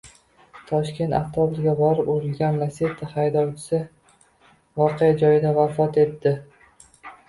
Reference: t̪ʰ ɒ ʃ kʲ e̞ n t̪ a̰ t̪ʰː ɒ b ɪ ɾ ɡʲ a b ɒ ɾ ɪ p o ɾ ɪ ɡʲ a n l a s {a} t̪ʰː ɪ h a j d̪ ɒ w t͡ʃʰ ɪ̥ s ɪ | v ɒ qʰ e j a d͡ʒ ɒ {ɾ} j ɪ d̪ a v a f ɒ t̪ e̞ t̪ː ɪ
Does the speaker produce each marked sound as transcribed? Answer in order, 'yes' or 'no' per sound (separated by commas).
no, no